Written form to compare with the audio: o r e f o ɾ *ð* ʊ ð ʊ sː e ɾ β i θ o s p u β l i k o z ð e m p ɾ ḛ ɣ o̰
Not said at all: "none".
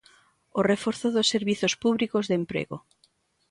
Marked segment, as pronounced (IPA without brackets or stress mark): θ